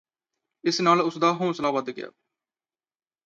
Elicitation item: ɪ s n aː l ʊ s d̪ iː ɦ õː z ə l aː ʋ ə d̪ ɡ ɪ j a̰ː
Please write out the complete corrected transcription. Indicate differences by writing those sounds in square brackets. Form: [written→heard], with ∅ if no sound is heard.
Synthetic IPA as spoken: ɪ s n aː l ʊ s d̪ [iː→aː] ɦ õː [z→s] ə l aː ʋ ə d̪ ɡ ɪ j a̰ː

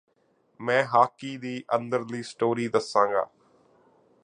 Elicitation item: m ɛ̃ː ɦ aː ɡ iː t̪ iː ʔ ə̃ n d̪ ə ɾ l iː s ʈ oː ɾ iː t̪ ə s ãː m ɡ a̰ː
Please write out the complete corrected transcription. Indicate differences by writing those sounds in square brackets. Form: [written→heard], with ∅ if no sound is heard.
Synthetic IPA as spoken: m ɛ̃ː ɦ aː [ɡ→k] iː [t̪→d̪] iː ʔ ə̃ n d̪ ə ɾ l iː s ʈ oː ɾ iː [t̪→d̪] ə s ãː [m→ŋ] ɡ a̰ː

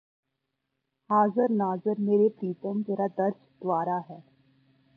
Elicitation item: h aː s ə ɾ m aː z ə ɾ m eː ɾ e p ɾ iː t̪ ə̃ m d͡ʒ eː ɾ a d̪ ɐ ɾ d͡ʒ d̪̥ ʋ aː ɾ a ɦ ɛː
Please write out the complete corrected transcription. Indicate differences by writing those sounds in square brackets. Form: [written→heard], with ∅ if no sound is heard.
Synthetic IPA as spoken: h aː [s→z] ə ɾ [m→n] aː z ə ɾ m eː ɾ e p ɾ iː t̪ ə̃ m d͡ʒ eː ɾ a d̪ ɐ ɾ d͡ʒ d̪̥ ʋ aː ɾ a ɦ ɛː

